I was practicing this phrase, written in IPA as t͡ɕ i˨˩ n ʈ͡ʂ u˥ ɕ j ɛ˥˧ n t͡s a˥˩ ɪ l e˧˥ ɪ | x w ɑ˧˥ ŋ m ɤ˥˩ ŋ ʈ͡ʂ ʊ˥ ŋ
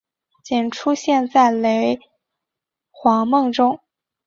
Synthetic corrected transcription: t͡ɕ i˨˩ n ʈ͡ʂʰ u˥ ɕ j ɛ˥˧ n t͡s a˥˩ ɪ l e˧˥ ɪ | x w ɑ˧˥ ŋ m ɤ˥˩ ŋ ʈ͡ʂ ʊ˥ ŋ